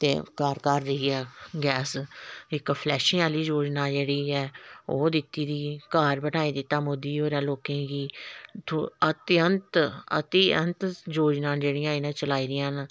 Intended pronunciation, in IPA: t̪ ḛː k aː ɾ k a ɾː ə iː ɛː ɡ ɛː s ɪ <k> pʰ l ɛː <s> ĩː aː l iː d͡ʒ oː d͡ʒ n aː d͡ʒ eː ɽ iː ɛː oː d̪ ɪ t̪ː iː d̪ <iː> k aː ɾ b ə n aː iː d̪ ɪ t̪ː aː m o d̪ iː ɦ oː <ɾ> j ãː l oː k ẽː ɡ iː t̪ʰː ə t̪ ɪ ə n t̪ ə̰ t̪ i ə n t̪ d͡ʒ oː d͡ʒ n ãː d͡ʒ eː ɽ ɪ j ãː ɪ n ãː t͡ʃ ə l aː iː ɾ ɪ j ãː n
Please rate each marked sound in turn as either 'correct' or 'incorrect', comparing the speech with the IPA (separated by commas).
correct, incorrect, correct, correct